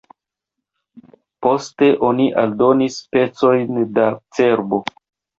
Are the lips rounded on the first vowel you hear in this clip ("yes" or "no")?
yes